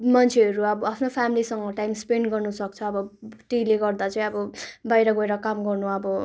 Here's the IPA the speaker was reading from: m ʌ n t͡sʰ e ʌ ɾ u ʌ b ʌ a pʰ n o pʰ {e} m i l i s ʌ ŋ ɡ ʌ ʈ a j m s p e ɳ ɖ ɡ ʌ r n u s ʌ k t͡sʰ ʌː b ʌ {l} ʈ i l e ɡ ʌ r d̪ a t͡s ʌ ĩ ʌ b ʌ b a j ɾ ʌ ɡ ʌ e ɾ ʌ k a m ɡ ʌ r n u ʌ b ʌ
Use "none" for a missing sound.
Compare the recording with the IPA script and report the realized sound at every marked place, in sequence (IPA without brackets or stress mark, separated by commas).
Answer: a, none